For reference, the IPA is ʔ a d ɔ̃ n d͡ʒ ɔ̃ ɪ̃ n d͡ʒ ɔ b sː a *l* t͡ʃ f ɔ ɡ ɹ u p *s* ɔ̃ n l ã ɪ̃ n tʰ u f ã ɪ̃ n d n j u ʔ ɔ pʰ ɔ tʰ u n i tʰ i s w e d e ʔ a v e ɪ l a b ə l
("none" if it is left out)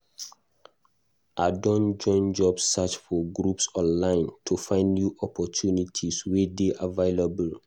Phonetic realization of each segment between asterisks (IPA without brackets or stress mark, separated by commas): none, s